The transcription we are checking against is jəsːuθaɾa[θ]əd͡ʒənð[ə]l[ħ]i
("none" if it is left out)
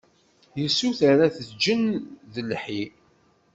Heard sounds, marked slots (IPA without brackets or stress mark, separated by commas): θ, ə, ħ